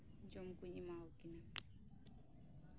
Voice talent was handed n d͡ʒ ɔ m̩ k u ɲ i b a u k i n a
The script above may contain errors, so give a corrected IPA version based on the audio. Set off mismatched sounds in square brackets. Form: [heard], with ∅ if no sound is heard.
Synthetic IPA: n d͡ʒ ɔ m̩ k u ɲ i [m] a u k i n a